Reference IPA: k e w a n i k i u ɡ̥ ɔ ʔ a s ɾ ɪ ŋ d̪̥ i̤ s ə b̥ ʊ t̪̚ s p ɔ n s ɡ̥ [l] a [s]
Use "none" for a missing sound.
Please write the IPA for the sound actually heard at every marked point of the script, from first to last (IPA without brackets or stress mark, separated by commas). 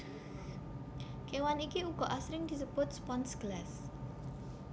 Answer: l, s